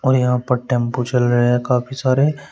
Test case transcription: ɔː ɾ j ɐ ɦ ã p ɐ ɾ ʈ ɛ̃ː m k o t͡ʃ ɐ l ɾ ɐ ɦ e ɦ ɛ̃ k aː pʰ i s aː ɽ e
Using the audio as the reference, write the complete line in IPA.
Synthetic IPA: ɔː ɾ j ɐ ɦ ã p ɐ ɾ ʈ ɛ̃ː m p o t͡ʃ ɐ l ɾ ɐ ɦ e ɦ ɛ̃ k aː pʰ i s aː ɾ e